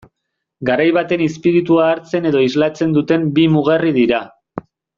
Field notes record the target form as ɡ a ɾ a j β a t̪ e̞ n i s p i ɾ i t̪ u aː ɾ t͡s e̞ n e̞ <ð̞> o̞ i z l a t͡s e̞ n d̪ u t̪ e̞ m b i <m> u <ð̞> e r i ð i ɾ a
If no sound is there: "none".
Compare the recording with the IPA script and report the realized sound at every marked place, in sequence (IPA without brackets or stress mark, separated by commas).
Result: ð̞, m, ɣ̞